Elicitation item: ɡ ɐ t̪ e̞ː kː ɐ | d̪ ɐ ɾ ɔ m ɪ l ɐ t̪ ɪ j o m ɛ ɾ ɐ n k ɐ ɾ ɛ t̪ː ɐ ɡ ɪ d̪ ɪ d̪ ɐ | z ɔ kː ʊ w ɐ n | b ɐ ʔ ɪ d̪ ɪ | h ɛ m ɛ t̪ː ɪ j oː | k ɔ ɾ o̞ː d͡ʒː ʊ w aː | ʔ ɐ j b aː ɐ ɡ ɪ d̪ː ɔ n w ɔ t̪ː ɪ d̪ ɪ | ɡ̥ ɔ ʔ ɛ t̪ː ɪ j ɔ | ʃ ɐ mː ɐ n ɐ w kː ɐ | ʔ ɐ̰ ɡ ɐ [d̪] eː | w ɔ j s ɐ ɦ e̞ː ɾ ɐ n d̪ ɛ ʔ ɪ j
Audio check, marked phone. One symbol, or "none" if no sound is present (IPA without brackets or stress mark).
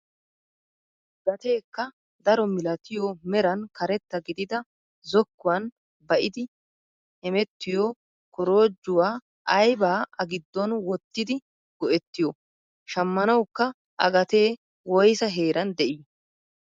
t̪